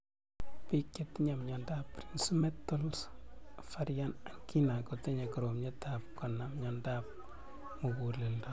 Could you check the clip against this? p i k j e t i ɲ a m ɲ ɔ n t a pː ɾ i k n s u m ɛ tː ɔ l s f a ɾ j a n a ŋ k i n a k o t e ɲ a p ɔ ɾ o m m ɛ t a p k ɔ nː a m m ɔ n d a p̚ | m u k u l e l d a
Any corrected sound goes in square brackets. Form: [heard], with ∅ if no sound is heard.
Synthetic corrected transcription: p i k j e t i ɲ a m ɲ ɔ n [d] a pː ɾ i [∅] n s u m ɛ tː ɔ l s f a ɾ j a n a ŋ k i n a k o t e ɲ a [k] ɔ ɾ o m [ɲ] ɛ t a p k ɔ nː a m [ɲ] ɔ n d a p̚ | m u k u l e l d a